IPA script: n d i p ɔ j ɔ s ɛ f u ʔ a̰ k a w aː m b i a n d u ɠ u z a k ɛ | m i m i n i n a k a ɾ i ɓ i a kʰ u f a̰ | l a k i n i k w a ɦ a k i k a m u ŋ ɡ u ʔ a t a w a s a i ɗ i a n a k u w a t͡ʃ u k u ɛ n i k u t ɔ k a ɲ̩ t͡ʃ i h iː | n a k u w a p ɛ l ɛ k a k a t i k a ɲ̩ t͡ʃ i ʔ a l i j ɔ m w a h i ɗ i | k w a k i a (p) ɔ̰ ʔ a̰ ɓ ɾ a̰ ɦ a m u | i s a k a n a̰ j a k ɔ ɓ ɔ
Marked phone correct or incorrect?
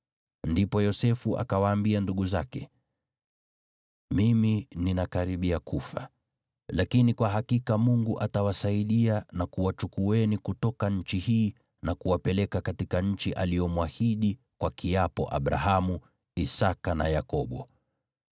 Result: correct